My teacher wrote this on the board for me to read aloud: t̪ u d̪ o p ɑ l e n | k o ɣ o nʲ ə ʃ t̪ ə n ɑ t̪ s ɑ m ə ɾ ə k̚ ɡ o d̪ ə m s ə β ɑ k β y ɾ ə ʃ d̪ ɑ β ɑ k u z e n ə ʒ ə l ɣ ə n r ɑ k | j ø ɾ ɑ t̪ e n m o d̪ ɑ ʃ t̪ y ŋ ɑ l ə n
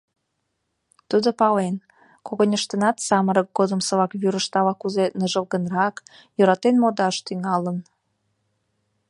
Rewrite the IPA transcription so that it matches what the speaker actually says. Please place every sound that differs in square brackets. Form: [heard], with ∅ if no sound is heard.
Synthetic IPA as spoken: t̪ u d̪ o p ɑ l e n | k o ɣ o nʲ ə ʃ t̪ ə n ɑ t̪ s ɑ m ə ɾ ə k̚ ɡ o d̪ ə m s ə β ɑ k β y ɾ ə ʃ [t̪] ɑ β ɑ k u z e n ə ʒ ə l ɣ ə n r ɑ k | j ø ɾ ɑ t̪ e n m o d̪ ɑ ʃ t̪ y ŋ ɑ l ə n